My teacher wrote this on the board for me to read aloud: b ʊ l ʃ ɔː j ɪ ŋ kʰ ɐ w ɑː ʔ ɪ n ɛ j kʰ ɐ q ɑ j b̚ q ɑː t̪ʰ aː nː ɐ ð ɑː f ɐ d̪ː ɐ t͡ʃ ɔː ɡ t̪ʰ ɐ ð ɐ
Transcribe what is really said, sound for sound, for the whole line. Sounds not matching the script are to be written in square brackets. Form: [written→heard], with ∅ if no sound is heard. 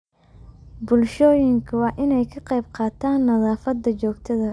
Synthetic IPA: b ʊ l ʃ ɔː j ɪ ŋ kʰ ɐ w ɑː ʔ ɪ n ɛ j kʰ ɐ q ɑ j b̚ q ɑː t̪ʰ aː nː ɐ ð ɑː f ɐ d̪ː ɐ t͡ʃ ɔː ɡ t̪ʰ ɐ ð ɐ